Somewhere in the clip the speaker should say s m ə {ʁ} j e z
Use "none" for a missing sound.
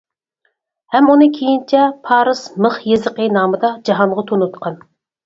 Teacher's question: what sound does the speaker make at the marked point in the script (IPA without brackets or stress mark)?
χ